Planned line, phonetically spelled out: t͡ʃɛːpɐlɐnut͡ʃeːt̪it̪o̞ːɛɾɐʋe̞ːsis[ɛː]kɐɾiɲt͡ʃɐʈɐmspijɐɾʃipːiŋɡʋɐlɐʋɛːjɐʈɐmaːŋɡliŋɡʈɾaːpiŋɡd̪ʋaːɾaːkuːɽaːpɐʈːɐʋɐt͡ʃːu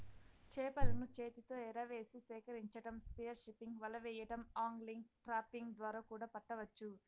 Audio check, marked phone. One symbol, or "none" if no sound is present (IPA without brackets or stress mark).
ɛː